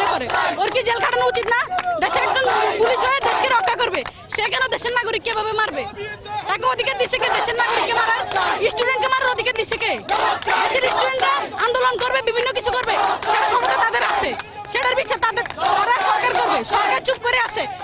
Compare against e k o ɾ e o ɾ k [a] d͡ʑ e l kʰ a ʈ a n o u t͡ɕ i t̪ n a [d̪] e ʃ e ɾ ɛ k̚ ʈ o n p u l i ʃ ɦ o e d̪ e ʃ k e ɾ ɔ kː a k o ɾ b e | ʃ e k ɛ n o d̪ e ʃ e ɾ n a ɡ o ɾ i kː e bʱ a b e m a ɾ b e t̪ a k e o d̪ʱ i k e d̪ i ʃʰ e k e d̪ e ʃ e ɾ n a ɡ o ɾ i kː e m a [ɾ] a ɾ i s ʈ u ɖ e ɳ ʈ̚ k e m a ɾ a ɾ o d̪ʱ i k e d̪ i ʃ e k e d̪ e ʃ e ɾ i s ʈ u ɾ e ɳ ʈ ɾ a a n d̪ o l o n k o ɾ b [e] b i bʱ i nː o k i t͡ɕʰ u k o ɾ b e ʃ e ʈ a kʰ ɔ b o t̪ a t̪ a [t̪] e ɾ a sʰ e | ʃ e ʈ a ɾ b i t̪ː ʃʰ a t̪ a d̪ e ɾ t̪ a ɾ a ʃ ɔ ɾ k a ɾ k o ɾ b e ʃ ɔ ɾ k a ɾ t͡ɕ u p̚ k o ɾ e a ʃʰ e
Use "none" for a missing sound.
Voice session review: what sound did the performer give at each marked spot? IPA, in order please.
i, d̪, ɾ, e, d̪

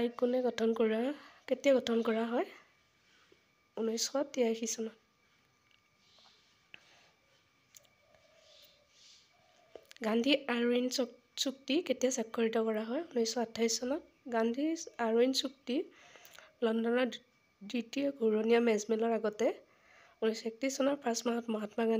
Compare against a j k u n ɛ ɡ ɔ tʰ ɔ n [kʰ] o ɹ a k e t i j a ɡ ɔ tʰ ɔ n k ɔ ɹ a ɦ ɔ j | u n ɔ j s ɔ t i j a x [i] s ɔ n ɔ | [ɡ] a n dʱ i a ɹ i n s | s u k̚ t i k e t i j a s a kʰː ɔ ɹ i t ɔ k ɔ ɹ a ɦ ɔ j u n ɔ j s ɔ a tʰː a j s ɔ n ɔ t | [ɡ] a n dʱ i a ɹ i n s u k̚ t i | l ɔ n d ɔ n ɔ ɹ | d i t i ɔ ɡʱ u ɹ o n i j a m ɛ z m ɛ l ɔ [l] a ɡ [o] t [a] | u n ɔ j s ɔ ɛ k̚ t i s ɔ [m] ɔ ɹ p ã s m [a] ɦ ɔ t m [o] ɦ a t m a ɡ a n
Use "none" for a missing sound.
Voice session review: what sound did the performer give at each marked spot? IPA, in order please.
k, i, ɡ, ɡ, ɹ, ɔ, ɛ, n, a, ɔ

